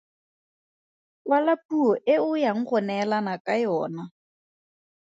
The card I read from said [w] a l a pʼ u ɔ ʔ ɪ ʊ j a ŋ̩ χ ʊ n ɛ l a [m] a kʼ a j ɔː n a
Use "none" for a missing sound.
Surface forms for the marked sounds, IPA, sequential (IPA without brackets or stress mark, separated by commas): w, n